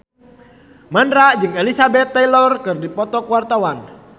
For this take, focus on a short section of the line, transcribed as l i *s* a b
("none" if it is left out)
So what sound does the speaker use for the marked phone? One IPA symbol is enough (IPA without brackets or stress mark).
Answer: s